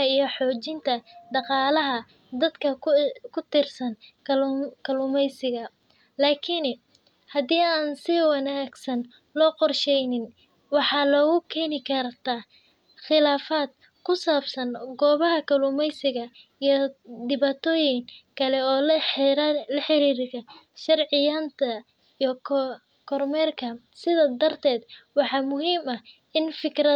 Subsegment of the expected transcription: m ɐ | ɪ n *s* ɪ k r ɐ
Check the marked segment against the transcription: incorrect: f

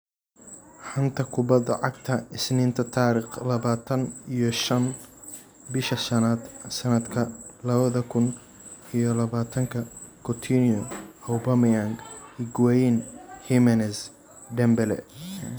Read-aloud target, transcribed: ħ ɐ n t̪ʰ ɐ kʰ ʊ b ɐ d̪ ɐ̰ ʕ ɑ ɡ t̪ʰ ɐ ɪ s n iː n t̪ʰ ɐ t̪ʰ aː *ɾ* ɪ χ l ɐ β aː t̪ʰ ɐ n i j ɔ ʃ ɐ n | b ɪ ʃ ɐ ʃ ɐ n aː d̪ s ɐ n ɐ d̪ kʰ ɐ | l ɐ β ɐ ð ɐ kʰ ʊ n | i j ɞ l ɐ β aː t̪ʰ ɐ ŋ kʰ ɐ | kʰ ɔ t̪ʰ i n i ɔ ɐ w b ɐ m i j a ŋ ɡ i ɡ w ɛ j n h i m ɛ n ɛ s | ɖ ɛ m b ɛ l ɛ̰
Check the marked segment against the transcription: correct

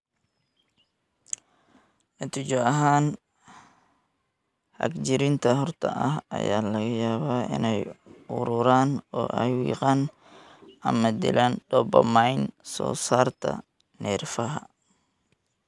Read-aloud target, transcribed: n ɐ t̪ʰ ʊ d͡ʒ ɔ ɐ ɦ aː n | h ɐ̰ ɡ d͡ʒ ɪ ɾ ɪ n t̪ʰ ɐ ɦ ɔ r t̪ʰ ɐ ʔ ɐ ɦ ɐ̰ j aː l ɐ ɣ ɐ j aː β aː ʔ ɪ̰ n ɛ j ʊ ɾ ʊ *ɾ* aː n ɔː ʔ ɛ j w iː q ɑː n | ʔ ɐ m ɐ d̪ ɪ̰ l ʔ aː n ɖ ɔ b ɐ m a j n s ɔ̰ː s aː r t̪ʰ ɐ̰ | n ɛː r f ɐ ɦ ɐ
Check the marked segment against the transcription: correct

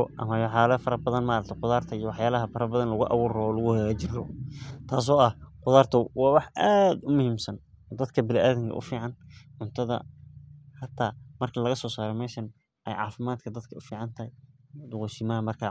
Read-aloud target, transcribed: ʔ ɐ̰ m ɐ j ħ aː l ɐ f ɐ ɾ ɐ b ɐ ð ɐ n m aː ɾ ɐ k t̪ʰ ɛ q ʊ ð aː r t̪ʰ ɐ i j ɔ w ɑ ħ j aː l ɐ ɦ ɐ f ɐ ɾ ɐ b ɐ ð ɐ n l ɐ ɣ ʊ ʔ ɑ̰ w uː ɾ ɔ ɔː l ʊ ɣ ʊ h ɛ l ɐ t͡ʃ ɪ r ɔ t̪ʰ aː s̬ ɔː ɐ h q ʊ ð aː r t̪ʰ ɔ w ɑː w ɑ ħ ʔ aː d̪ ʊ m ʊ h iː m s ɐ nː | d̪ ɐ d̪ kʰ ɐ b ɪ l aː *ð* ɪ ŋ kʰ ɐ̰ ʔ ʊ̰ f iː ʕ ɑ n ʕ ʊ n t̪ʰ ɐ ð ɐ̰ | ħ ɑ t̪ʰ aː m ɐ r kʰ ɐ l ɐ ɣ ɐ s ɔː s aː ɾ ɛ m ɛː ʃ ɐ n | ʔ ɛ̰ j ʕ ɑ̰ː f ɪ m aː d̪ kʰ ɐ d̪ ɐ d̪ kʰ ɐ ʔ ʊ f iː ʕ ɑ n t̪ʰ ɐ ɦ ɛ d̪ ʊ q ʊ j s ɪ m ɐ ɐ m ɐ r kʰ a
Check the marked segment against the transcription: correct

